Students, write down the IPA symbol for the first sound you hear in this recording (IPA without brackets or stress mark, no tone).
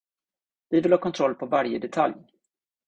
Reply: v